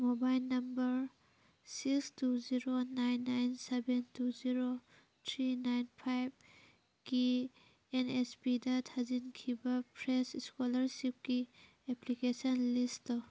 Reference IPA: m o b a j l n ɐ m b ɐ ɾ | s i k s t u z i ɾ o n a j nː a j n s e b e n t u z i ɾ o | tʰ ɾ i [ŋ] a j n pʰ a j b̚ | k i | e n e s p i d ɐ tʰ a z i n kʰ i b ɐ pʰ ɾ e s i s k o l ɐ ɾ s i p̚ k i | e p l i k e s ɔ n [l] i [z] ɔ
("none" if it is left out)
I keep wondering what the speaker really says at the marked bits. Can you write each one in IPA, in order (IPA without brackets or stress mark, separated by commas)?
n, l, s